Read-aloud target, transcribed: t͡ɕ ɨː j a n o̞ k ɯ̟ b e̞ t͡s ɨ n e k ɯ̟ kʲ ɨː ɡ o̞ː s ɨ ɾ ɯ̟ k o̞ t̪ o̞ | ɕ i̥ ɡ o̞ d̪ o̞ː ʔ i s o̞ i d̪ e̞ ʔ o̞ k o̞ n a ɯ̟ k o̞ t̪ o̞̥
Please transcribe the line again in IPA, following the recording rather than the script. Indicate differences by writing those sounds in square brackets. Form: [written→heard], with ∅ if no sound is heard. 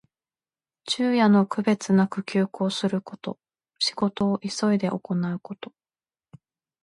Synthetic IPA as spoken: t͡ɕ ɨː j a n o̞ k ɯ̟ b e̞ t͡s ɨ n [e→a] k ɯ̟ kʲ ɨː [ɡ→k] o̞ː s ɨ ɾ ɯ̟ k o̞ t̪ o̞ | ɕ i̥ ɡ o̞ [d̪→t̪] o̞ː ʔ i s o̞ i d̪ e̞ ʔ o̞ k o̞ n a ɯ̟ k o̞ t̪ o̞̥